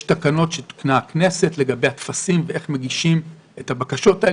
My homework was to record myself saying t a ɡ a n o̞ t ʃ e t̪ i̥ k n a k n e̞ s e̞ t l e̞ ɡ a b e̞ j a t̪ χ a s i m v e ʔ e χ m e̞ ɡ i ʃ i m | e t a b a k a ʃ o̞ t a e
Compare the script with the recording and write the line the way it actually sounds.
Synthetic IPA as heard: t a k a n o̞ t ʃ e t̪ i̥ k n a k n e̞ s e̞ t l e̞ ɡ a b e̞ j a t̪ f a s i m v e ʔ e χ m e̞ ɡ i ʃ i m | e t a b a k a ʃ o̞ t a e